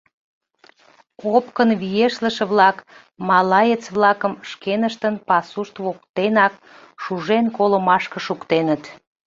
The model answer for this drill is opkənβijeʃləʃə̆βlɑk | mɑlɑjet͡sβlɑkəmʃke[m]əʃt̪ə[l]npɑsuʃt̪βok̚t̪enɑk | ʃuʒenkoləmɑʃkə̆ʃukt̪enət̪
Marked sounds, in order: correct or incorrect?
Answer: incorrect: n, incorrect: none

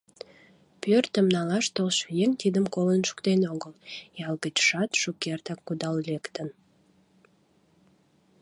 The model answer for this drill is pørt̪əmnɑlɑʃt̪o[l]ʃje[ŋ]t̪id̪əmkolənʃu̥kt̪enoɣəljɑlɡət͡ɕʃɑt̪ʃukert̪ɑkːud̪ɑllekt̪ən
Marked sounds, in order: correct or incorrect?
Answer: correct, correct

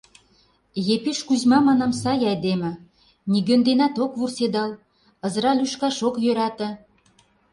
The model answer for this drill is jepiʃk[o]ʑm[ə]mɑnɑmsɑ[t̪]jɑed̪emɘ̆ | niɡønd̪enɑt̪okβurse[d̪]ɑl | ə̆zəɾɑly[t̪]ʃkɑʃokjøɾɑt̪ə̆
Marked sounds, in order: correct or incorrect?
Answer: incorrect: u, incorrect: ɑ, incorrect: none, correct, incorrect: none

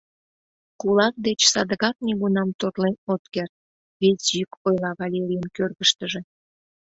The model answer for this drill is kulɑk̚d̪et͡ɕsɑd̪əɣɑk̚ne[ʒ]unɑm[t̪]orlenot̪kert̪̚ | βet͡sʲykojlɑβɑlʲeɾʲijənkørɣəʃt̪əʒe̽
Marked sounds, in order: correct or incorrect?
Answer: incorrect: ɣ, correct

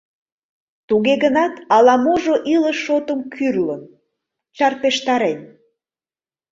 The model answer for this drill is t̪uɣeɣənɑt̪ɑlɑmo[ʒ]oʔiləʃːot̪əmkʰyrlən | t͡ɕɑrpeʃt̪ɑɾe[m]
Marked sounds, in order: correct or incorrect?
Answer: correct, incorrect: n

